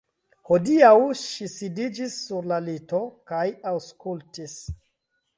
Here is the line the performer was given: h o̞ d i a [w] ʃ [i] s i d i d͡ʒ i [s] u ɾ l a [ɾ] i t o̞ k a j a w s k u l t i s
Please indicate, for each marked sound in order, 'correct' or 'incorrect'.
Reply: correct, correct, incorrect, incorrect

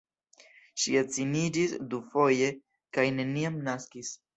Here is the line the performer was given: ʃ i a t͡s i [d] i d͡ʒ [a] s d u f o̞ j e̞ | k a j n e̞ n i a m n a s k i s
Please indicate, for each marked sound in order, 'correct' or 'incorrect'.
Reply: incorrect, incorrect

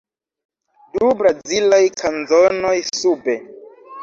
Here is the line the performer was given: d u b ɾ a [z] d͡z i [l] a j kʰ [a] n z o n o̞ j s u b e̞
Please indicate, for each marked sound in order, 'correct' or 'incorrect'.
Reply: correct, correct, correct

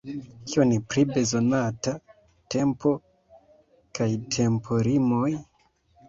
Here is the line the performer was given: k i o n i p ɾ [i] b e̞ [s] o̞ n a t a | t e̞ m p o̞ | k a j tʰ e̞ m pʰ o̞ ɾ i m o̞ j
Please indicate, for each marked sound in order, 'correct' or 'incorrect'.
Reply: correct, incorrect

